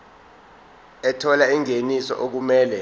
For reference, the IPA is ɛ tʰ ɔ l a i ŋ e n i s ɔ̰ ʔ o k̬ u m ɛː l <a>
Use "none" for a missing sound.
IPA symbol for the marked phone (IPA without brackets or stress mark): ɛ